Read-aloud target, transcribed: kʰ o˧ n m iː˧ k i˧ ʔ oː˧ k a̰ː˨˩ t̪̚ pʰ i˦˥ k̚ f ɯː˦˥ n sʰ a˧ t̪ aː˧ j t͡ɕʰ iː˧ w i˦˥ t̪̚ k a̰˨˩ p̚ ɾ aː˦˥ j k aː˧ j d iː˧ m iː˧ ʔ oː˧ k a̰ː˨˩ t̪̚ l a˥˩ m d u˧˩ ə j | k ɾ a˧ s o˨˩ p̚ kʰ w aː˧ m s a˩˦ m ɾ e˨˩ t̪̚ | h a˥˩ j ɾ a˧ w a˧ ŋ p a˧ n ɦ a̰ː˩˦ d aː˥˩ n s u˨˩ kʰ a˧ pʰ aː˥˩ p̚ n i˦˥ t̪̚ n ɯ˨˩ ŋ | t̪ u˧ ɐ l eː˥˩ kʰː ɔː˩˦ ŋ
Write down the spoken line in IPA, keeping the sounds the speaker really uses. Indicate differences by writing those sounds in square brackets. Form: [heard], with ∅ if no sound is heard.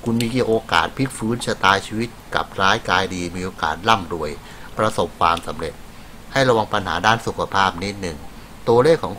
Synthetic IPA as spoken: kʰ [u˧] n m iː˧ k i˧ ʔ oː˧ k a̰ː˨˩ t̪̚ pʰ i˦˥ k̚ f ɯː˦˥ n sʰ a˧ t̪ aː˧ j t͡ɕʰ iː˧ w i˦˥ t̪̚ k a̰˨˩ p̚ ɾ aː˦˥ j k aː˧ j d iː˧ m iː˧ ʔ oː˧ k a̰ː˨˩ t̪̚ l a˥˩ m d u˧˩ ə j | [p] ɾ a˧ s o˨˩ p̚ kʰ w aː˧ m s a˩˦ m ɾ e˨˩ t̪̚ | h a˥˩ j ɾ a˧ w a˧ ŋ p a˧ n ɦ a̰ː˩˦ d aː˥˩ n s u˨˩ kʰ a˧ pʰ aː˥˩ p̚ n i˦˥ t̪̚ n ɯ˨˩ ŋ | t̪ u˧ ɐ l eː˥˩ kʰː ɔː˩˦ ŋ